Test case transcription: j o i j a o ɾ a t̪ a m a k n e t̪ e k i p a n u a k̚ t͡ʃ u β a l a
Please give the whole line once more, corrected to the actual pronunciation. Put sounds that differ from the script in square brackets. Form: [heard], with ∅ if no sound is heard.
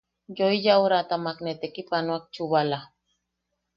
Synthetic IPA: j o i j a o ɾ a t̪ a m a k n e t̪ e k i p a n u a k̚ t͡ʃ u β a l a

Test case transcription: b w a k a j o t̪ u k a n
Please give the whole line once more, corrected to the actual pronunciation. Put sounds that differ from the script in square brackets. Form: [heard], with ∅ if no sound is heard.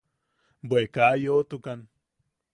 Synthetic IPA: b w [e] k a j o t̪ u k a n

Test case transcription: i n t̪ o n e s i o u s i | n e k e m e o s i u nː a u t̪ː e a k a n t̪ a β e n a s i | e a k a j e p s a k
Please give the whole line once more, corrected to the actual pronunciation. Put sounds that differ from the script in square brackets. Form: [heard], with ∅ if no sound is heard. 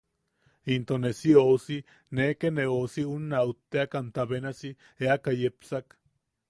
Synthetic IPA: i n t̪ o n e s i o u s i | n e k e [n] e o s i u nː a u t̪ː e a k a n t̪ a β e n a s i | e a k a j e p s a k

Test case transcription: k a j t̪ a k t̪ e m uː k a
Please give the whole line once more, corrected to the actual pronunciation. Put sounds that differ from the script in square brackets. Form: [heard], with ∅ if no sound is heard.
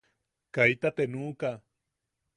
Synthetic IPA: k a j t̪ a [∅] t̪ e [n] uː k a

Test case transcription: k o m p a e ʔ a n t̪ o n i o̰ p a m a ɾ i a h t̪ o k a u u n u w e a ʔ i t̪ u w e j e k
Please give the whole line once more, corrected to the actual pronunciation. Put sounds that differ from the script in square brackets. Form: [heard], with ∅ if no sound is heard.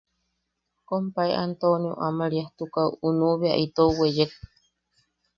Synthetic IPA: k o m p a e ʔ a n t̪ o n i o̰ [ʔ] a m a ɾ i a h t̪ [u] k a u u n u [β] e a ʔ i t̪ [o] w e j e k

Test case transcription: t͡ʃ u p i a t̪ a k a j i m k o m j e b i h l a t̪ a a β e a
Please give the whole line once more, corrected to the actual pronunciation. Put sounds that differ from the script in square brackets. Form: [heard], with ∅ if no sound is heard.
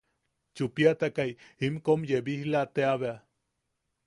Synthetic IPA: t͡ʃ u p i a t̪ a k a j i m k o m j e b i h l a t̪ [e] a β e a

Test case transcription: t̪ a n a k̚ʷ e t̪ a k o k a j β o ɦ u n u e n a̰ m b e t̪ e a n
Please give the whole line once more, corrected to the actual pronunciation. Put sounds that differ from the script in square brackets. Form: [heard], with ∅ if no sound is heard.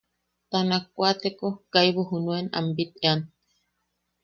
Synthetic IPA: t̪ a n a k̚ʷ [a] t̪ [e] k o k a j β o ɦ u n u e n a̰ m b [i] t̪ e a n

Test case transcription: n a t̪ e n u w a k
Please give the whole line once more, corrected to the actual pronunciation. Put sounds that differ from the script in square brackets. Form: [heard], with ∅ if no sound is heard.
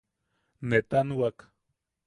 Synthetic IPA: n [e] t̪ [a] n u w a k

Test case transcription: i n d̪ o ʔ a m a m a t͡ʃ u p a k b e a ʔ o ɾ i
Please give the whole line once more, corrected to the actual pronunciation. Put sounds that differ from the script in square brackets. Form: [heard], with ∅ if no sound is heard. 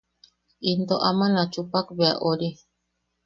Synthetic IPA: i n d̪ o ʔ a m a [n] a t͡ʃ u p a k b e a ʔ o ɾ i

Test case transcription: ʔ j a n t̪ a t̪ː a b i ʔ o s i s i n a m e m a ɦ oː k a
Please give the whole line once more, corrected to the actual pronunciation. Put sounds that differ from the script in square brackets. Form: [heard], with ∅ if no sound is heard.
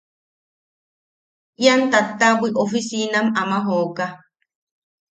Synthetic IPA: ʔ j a n t̪ a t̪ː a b i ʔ o [f] i s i n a m [a] m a ɦ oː k a

